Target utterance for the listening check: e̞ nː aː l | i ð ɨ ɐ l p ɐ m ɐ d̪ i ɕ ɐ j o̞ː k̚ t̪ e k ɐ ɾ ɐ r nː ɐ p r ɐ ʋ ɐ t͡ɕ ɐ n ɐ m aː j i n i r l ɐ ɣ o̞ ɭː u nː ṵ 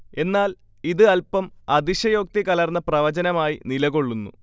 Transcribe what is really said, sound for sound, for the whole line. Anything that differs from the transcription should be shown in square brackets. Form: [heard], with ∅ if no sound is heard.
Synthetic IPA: e̞ nː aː l | i ð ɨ ɐ l p ɐ m ɐ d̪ i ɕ ɐ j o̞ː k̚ t̪ [i] k ɐ [l] ɐ r nː ɐ p r ɐ ʋ ɐ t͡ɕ ɐ n ɐ m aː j i n i [∅] l ɐ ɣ o̞ ɭː u nː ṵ